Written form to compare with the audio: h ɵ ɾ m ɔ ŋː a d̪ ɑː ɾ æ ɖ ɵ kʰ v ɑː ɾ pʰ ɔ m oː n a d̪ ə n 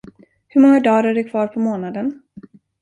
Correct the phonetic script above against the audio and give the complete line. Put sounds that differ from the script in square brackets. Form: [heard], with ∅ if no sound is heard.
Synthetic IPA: h ɵ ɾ m ɔ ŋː a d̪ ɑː ɾ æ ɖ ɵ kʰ v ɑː ɾ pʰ ɔ m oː n a d̪ ə n